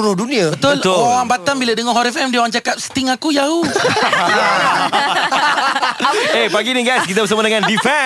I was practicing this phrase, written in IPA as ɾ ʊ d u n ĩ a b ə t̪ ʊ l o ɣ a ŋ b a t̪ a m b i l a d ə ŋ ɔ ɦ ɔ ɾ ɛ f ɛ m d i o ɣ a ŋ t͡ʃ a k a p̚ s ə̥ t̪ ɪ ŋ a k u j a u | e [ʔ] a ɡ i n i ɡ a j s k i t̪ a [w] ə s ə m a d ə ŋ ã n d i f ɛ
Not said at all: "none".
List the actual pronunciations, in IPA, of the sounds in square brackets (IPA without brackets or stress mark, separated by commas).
p, b